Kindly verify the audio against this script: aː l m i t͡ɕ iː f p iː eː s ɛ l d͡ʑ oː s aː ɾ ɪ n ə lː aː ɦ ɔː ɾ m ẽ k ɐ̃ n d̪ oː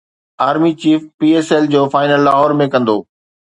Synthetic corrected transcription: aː ɾ m i t͡ɕ iː f p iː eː s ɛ l d͡ʑ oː f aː ɪ n ə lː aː ɦ ɔː ɾ m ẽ k ɐ̃ n d̪ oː